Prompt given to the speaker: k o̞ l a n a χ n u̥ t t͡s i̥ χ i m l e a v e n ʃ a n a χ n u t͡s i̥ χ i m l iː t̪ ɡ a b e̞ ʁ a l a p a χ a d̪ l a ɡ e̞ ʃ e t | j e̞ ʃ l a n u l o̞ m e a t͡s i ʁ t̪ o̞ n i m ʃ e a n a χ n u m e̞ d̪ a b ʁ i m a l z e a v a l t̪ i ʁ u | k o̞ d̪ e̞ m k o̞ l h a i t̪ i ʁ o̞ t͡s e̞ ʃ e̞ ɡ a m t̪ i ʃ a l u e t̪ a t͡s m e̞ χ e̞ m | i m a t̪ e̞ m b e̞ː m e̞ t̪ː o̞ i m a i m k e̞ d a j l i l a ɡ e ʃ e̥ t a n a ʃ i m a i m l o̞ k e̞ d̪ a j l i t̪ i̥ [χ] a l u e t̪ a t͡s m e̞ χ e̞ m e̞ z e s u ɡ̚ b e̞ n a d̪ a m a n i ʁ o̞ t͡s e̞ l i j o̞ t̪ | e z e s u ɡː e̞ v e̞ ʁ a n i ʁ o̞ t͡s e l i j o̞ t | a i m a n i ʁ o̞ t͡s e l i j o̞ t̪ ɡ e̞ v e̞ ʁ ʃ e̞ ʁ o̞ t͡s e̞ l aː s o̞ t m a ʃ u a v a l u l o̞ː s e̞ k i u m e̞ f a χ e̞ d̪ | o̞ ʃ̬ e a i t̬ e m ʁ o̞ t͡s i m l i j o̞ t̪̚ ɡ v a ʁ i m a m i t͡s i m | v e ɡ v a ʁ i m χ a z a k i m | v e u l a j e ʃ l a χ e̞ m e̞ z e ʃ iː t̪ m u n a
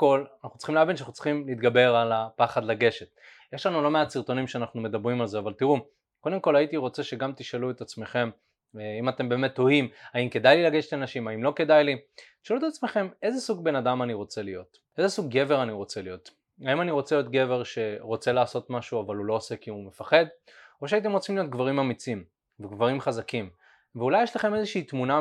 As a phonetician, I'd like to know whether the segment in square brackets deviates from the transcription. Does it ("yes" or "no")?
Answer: yes